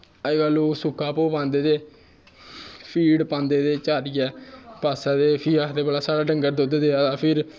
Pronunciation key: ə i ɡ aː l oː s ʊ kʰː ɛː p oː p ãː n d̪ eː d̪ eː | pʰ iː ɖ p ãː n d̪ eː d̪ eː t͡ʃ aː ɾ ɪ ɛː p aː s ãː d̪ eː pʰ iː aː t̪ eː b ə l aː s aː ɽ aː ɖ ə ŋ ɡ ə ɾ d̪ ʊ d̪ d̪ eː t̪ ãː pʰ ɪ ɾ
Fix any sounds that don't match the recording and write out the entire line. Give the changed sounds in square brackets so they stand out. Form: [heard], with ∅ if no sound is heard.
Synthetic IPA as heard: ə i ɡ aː l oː s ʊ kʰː [aː] p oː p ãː n d̪ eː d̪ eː | pʰ iː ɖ p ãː n d̪ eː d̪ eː t͡ʃ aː ɾ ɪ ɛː p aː s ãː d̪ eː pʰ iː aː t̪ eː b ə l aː s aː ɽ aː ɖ ə ŋ ɡ ə ɾ d̪ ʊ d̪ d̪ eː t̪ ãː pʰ ɪ ɾ